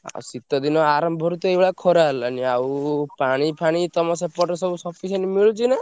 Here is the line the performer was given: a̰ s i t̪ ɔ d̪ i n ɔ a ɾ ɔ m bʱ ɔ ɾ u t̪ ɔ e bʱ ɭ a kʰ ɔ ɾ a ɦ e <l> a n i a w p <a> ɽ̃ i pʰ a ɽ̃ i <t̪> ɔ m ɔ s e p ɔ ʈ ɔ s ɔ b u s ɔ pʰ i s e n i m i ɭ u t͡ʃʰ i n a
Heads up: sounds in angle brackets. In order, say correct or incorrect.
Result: correct, correct, correct

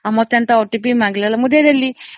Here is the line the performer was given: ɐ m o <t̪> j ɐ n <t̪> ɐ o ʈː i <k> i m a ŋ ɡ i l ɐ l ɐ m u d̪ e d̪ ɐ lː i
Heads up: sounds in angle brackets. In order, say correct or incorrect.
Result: correct, correct, incorrect

